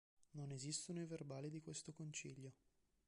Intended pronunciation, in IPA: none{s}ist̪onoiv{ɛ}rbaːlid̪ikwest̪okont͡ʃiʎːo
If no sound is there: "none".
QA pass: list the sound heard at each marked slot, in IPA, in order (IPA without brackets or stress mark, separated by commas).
z, e